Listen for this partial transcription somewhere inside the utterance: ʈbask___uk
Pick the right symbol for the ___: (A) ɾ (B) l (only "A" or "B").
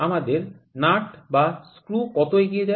A